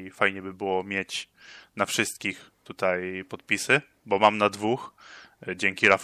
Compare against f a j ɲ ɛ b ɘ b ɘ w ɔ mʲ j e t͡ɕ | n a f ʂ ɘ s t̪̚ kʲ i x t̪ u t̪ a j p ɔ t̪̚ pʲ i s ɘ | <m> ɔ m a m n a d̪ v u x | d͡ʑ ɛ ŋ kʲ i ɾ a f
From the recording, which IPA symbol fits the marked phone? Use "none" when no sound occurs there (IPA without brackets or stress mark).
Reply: b